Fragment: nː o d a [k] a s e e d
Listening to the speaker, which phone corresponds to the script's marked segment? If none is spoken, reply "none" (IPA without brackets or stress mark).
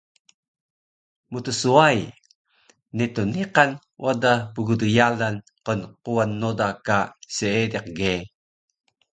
k